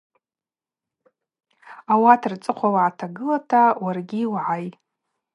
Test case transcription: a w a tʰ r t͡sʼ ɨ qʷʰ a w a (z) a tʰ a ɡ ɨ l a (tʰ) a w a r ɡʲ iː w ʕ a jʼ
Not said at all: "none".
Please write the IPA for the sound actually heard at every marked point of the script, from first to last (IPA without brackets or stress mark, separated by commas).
ʕ, tʰ